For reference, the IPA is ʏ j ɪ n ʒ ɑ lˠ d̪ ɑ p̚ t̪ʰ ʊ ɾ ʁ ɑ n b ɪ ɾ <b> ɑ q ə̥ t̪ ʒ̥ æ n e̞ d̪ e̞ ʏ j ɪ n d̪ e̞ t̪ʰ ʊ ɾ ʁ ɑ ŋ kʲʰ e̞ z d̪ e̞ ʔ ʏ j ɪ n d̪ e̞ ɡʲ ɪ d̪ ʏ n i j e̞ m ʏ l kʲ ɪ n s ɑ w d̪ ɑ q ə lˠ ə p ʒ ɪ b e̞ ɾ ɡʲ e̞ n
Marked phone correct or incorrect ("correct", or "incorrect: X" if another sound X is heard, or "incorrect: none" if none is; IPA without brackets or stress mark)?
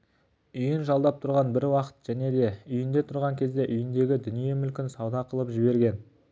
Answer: incorrect: w